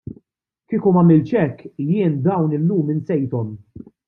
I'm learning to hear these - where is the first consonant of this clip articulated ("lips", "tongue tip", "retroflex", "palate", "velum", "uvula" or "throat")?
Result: velum